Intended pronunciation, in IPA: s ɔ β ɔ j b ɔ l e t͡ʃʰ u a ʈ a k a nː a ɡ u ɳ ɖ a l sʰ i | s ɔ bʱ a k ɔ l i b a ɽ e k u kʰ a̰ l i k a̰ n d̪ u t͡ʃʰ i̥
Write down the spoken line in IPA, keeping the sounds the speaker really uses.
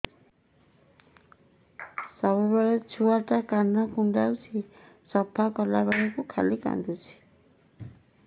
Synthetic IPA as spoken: s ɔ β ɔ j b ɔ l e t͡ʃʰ u a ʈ a k a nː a k u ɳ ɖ a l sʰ i | s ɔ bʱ a k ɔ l a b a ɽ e k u kʰ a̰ l i k a̰ n d̪ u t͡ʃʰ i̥